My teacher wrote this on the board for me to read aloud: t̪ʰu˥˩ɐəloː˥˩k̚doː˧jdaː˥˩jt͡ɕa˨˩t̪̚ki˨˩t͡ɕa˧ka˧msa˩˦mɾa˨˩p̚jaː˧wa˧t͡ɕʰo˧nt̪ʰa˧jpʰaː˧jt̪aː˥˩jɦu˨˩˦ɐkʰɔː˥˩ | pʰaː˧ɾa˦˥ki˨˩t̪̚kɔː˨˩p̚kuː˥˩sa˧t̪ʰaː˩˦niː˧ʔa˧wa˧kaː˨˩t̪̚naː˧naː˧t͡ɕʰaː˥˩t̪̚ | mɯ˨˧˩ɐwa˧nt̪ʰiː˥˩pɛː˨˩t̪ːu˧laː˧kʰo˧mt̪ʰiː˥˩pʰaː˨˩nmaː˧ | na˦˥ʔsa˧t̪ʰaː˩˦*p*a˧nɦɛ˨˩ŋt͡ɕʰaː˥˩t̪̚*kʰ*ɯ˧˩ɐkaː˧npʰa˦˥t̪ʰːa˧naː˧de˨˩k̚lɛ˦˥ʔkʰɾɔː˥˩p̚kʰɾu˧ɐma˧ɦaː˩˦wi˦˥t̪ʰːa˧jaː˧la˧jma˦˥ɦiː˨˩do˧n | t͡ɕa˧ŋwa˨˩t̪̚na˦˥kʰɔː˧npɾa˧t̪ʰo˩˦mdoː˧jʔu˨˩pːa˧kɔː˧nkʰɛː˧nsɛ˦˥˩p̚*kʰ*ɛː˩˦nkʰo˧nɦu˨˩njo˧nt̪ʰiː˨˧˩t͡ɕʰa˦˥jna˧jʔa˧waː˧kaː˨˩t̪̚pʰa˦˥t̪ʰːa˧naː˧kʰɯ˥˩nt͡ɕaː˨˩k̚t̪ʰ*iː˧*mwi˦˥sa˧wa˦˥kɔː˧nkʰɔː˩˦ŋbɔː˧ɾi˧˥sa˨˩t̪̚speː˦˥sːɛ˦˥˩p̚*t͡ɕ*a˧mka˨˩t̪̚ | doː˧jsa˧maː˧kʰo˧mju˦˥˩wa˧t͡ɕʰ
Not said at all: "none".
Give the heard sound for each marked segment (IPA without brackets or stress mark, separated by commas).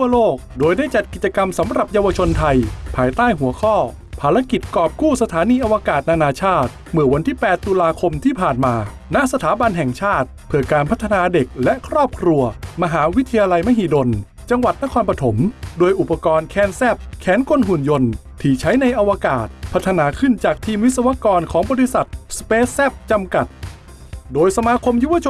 b, pʰ, kʰ, iː˧, t͡ɕ